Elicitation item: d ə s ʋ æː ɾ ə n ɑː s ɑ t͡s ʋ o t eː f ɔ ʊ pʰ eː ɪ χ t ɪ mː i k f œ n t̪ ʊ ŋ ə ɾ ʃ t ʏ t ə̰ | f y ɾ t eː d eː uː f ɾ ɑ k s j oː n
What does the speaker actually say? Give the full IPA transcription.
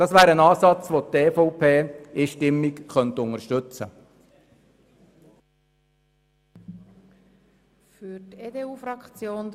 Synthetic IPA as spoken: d ɑ s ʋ æː ɾ ə n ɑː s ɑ t͡s ʋ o t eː f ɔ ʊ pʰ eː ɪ ʃ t ɪ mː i k χ œ n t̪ ʊ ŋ ə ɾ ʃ t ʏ t͡s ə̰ | f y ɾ t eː d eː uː f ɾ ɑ k t͡s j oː n